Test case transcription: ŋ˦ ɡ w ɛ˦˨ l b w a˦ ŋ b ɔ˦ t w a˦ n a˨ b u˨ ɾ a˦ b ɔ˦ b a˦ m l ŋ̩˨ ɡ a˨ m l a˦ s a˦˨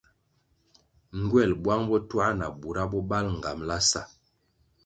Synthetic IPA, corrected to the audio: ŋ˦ ɡ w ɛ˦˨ l b w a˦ ŋ b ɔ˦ t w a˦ n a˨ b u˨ ɾ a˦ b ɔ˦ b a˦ l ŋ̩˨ ɡ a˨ m l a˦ s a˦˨